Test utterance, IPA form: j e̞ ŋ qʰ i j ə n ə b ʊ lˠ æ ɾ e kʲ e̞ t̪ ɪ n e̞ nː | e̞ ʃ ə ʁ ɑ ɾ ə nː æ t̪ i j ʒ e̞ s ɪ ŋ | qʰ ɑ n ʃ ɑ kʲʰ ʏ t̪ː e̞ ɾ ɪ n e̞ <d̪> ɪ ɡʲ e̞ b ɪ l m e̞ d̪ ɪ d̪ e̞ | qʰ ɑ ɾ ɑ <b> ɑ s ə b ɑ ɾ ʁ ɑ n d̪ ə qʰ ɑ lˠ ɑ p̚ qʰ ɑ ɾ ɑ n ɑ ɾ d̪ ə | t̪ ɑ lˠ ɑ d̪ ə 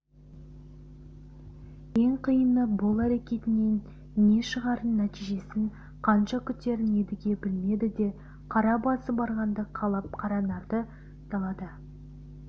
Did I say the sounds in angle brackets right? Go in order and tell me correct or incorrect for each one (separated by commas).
correct, correct